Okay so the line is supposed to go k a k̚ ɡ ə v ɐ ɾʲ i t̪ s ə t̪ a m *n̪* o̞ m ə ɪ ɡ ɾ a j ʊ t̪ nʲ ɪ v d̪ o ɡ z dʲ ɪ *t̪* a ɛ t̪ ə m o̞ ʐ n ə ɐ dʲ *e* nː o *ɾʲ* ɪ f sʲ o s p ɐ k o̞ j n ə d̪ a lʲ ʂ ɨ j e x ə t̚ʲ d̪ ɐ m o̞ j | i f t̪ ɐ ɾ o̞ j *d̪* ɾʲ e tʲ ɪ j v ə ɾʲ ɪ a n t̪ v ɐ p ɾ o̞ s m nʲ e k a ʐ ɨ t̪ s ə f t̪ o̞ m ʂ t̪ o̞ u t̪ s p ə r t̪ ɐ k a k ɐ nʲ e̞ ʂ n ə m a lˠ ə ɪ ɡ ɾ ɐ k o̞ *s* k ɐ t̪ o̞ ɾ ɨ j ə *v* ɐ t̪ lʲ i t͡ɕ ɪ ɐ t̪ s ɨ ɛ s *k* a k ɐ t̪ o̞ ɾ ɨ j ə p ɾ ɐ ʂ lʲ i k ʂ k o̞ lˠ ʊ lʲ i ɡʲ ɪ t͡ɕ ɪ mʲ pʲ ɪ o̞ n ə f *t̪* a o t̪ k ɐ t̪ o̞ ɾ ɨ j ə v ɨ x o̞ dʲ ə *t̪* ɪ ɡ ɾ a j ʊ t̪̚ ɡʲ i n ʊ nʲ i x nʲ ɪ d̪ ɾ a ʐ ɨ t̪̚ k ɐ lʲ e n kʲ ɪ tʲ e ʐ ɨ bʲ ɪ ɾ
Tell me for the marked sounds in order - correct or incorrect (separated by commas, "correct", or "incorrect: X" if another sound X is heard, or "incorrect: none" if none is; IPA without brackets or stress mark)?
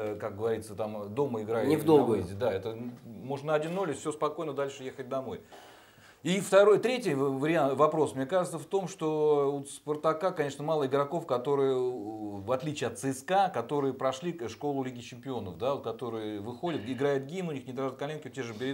incorrect: d̪, incorrect: d̪, incorrect: i, incorrect: lʲ, incorrect: t̪, incorrect: f, correct, correct, incorrect: d̪, correct